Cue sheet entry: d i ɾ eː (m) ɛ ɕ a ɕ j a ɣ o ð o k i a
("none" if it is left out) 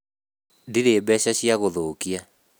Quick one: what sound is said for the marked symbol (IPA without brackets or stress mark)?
b